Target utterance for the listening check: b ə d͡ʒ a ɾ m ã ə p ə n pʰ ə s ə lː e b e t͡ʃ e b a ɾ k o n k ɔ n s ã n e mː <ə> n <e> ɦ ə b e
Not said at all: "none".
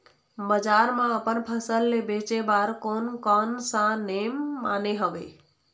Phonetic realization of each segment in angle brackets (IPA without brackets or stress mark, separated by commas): a, e